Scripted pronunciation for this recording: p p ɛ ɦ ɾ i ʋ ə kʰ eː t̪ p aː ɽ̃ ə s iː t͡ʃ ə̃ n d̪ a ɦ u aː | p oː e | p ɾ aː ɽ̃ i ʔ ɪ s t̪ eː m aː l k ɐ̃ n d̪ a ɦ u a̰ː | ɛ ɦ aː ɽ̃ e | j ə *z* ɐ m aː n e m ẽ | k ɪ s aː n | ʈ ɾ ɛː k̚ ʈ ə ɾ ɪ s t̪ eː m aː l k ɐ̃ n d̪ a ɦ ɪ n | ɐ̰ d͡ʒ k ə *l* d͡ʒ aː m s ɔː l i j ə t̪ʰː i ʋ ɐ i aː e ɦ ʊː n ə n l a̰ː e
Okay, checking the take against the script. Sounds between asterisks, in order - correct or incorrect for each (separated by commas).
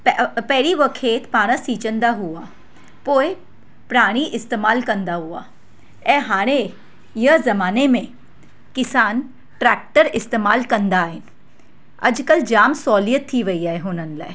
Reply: correct, correct